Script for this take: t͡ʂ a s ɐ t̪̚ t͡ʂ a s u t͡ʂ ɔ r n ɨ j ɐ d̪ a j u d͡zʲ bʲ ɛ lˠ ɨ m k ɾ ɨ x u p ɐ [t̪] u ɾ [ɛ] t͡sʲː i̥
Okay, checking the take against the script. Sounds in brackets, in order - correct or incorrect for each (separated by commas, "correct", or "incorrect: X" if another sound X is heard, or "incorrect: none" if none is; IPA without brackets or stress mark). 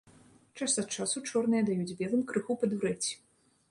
incorrect: d̪, correct